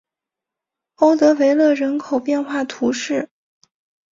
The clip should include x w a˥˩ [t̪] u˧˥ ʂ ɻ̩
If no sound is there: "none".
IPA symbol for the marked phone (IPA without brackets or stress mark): t̪ʰ